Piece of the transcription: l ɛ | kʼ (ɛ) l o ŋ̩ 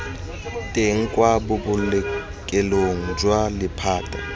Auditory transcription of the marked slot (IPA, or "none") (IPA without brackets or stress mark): ɛ